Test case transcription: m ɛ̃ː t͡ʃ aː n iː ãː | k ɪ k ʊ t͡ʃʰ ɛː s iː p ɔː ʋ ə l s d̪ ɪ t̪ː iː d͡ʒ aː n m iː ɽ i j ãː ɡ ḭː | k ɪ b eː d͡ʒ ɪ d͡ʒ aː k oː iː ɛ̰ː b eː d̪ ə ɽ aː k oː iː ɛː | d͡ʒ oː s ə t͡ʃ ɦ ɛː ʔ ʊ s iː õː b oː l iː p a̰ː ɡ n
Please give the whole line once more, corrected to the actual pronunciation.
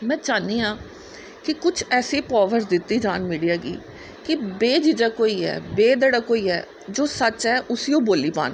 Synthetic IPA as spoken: m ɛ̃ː t͡ʃ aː n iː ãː | k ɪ k ʊ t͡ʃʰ ɛː s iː p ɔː ʋ ə ɾ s d̪ ɪ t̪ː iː d͡ʒ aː n m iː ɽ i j aː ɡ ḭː | k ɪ b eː d͡ʒ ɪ d͡ʒ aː k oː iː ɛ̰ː b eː d̪ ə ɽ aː k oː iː ɛː | d͡ʒ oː s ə t͡ʃ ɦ ɛː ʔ ʊ s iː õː b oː l iː p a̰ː n